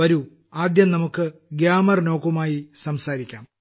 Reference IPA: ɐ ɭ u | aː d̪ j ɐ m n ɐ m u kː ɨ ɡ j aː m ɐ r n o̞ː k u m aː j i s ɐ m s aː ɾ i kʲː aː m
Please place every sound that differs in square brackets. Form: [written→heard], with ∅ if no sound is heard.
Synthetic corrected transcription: ɐ [ɭ→ɾ] u | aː d̪ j ɐ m n ɐ m u kː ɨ ɡ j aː m ɐ r n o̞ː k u m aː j i s ɐ m s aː ɾ i kʲː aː m